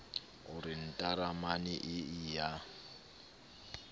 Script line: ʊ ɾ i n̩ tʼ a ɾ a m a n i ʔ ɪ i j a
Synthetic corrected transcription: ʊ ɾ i n̩ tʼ a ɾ a m a n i ʔ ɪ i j a